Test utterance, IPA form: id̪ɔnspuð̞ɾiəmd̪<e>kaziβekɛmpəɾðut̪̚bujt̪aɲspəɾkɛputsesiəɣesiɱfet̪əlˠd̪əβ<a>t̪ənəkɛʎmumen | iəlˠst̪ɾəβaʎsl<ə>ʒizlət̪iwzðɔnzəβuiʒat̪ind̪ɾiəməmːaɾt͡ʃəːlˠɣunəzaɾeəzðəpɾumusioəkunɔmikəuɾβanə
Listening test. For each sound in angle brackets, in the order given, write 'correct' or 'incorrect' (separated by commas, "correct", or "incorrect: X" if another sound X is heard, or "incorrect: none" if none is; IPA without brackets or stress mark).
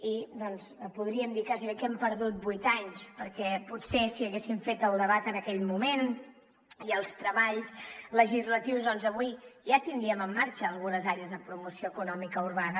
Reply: incorrect: i, correct, correct